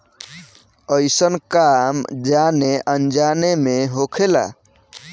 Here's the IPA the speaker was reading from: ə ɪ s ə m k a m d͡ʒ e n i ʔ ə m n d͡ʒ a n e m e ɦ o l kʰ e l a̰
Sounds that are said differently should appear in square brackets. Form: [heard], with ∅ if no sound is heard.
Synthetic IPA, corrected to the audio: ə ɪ s ə [n] k a m d͡ʒ [a] n [e] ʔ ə [∅] n d͡ʒ a n e m e ɦ o [∅] kʰ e l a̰